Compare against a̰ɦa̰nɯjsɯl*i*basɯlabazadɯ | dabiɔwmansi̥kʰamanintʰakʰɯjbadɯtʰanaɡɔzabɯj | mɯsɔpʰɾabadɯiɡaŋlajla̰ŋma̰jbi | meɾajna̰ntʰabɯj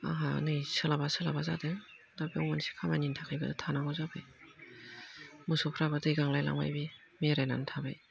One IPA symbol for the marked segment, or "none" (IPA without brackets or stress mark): a